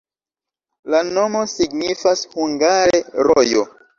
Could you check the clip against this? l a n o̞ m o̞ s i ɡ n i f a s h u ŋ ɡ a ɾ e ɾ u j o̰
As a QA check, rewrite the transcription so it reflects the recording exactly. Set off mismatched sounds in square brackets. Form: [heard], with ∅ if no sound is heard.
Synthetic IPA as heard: l a n o̞ m o̞ s i ɡ n i f a s h u ŋ ɡ a ɾ e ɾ [o] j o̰